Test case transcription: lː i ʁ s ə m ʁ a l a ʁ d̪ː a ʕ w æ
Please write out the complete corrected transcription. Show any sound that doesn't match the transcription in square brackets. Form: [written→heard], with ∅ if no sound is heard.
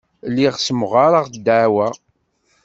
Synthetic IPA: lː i ʁ s ə m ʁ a [l→ɾ] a ʁ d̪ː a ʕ w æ